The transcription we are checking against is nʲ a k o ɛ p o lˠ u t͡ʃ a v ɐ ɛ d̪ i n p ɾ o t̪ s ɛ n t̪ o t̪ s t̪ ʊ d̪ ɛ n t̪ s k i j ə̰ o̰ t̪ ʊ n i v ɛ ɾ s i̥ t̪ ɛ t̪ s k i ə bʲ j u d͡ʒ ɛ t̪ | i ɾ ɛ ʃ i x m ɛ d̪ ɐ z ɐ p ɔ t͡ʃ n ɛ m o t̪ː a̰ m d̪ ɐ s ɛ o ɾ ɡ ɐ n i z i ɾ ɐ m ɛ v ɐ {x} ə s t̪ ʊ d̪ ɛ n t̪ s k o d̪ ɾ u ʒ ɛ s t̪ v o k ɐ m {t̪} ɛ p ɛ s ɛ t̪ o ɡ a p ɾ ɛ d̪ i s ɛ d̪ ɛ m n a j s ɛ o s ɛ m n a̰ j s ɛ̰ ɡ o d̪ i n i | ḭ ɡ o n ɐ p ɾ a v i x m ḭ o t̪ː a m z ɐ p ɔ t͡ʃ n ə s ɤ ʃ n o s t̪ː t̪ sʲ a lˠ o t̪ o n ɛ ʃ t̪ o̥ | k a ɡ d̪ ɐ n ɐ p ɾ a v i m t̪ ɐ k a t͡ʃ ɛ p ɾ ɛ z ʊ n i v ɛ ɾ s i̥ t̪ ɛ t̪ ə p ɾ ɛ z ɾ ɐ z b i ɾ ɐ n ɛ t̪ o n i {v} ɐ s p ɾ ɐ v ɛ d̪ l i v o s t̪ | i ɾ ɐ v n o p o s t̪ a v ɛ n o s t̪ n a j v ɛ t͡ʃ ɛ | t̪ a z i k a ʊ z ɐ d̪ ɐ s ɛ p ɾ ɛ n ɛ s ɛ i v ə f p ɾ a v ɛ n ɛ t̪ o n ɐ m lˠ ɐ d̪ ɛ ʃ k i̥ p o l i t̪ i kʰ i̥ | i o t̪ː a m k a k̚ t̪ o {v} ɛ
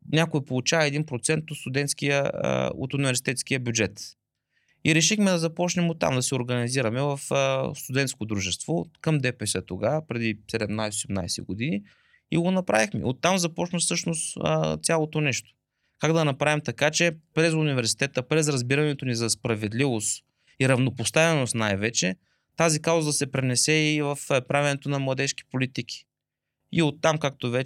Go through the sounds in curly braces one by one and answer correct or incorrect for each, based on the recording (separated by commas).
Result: incorrect, incorrect, incorrect, correct